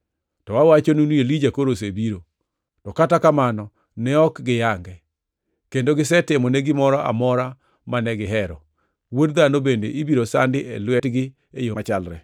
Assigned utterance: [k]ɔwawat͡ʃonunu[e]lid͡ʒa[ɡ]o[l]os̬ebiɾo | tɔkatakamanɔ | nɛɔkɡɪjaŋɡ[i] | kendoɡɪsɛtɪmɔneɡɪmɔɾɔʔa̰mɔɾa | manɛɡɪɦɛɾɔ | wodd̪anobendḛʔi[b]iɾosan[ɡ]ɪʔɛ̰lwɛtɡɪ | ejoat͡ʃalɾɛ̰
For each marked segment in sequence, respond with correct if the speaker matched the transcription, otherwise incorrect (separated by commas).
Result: incorrect, correct, incorrect, incorrect, incorrect, correct, incorrect